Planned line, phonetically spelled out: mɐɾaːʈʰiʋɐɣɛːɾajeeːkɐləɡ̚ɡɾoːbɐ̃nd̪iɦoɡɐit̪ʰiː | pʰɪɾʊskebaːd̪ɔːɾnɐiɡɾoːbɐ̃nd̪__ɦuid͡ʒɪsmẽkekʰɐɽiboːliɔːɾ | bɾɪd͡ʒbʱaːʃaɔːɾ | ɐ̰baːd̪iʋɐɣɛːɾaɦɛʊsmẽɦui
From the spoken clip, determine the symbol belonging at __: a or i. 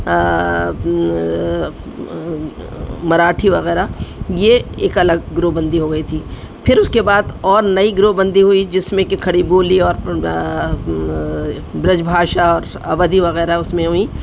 i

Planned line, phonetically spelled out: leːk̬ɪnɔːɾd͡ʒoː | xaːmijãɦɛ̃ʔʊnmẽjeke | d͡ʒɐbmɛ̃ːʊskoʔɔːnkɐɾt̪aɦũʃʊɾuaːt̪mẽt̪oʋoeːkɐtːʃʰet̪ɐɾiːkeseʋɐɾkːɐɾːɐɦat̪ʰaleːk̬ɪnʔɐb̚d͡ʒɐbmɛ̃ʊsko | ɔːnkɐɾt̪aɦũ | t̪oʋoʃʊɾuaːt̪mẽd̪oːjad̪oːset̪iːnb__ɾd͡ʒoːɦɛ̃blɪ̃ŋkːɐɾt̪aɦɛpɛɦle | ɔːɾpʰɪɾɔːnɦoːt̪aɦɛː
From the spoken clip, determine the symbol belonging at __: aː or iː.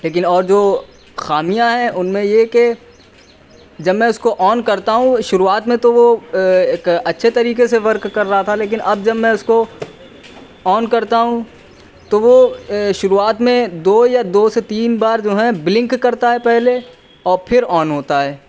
aː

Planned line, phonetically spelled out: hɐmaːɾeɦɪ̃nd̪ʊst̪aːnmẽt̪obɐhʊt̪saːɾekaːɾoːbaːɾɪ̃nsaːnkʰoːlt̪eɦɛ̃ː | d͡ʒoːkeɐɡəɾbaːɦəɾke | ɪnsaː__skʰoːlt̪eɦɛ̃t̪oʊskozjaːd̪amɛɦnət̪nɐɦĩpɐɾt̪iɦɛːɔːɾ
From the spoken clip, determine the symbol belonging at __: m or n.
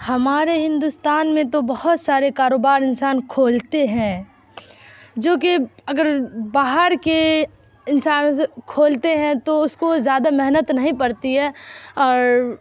n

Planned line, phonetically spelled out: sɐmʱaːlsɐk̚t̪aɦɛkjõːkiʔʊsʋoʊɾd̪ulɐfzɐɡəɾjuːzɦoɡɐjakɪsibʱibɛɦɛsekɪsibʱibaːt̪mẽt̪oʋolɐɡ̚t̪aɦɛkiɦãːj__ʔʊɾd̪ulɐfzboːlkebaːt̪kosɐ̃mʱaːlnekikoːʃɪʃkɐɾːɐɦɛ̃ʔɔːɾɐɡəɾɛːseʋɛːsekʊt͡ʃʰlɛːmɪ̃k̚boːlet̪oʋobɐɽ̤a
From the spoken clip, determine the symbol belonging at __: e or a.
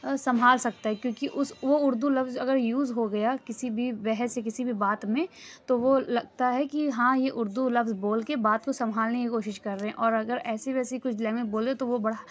e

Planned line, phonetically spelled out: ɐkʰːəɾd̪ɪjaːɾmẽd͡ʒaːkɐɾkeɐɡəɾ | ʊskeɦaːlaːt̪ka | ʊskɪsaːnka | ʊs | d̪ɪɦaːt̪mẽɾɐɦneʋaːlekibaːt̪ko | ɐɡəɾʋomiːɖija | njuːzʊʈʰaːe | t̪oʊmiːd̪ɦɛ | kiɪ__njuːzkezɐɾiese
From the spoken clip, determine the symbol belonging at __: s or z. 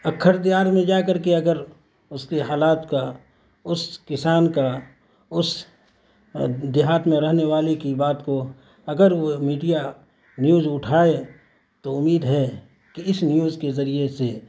s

